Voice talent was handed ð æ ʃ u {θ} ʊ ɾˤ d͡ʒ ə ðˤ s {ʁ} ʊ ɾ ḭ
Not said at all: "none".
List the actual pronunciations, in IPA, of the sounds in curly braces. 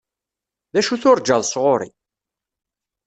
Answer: θ, ʁ

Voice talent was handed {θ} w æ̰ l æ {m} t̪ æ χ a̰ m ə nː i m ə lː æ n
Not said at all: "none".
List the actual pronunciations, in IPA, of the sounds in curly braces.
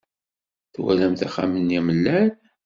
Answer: θ, m

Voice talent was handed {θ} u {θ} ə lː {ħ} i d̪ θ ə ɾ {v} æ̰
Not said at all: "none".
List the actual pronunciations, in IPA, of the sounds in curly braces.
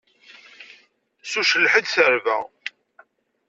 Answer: s, ʃ, ħ, v

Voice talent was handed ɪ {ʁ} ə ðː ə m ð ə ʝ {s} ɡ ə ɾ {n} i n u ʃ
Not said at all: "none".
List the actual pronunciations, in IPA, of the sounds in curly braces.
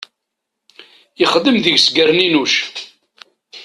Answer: χ, s, n

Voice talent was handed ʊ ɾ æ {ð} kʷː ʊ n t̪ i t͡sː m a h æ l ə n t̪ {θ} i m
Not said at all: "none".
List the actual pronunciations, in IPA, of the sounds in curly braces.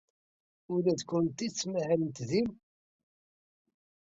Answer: ð, ð

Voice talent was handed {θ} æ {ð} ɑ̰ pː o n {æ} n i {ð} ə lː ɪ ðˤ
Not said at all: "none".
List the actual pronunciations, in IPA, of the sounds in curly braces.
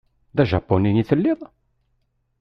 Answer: ð, ʒ, i, θ

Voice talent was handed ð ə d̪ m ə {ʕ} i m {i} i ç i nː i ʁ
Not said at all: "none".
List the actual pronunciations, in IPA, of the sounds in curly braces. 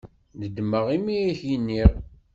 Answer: ʁ, i

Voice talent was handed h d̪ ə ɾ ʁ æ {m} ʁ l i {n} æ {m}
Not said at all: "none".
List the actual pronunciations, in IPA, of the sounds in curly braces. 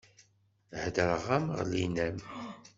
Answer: m, n, m

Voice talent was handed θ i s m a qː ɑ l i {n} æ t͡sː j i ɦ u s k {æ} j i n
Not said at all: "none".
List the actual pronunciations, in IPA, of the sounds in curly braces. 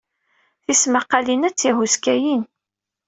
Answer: n, æ

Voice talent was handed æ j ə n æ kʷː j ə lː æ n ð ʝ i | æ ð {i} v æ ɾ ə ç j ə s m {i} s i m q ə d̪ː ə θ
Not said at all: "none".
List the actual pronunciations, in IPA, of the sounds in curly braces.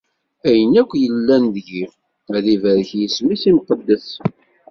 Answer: i, i

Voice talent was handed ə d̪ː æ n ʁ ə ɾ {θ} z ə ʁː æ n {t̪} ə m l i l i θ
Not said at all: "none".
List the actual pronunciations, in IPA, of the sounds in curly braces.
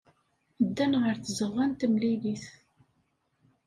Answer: θ, t̪

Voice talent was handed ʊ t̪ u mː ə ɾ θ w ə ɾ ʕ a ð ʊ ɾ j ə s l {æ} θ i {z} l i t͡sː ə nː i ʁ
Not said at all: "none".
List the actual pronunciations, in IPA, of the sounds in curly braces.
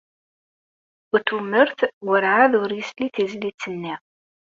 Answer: i, z

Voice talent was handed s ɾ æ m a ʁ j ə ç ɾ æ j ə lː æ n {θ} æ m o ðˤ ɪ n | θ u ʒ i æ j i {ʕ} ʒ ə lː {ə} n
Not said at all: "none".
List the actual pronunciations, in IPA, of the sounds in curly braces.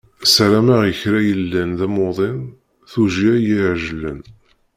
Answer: ð, ʕ, ə

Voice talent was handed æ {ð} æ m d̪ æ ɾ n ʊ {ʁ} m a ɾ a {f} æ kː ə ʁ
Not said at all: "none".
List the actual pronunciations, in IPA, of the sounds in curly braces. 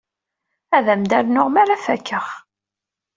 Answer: ð, ʁ, f

